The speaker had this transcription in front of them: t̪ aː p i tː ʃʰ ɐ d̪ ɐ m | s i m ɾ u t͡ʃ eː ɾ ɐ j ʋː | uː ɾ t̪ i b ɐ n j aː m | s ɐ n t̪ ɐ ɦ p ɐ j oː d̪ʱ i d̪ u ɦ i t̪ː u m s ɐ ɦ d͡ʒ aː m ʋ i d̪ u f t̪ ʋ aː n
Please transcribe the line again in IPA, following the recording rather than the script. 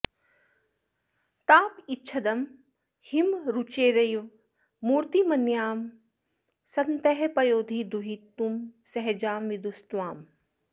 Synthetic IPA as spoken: t̪ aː p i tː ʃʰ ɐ d̪ ɐ m | h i m ɾ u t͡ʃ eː ɾ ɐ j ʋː | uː ɾ t̪ i m ɐ n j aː m | s ɐ n t̪ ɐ ɦ p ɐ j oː d̪ʱ i d̪ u ɦ i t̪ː u m s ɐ ɦ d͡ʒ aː m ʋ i d̪ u s t̪ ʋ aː m